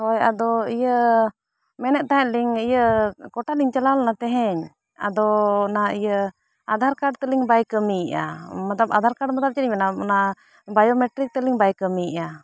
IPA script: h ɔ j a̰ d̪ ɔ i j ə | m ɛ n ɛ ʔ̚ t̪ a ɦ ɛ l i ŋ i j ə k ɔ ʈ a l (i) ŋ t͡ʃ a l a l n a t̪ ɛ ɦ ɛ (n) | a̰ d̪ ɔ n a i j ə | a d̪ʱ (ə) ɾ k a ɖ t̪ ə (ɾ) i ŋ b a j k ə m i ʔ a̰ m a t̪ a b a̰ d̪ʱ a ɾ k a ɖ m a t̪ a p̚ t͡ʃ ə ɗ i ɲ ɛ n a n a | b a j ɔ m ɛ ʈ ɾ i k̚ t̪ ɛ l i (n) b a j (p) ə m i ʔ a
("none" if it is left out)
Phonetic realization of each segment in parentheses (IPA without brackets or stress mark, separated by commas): i, ɲ, a, l, ŋ, k